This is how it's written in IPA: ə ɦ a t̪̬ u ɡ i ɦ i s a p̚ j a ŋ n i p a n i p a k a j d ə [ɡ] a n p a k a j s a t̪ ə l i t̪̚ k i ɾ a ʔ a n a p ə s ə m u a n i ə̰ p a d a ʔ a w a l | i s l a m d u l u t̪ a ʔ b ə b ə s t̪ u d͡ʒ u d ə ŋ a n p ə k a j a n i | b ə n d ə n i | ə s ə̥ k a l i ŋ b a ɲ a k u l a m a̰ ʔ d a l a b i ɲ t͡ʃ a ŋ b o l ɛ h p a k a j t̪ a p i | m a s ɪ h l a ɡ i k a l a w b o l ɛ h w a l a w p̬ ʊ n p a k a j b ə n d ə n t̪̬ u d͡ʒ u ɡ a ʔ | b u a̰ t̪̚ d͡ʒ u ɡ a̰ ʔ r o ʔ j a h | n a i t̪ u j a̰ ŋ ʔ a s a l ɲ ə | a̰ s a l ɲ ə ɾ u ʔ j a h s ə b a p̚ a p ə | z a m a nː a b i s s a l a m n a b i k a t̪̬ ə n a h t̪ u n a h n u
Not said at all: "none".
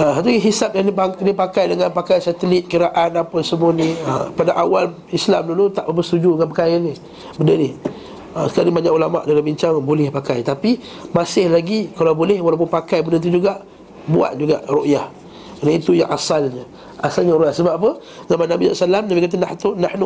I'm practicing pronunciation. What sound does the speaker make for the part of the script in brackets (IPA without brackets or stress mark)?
ŋ